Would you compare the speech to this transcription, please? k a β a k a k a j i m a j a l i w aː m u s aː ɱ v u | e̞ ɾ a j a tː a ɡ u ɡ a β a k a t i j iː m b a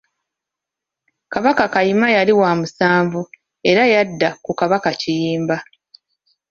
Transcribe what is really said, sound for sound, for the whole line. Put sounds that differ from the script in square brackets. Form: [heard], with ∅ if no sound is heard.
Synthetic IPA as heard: k a β a k a k a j i m a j a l i w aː m u s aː ɱ v u | e̞ ɾ a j a [dː] a [k] u [k] a β a k a [c] i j iː m b a